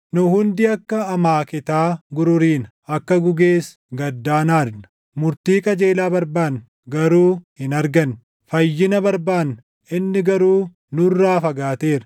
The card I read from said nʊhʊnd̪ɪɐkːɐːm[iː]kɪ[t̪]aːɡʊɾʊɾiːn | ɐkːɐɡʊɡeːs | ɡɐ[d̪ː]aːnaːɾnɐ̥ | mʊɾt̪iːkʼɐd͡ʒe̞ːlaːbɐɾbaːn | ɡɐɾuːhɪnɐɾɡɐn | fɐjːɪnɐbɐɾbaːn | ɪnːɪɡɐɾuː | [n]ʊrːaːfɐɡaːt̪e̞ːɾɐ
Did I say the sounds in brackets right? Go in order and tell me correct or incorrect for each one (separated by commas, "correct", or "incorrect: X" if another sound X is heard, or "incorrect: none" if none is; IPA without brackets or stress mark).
incorrect: aː, correct, correct, correct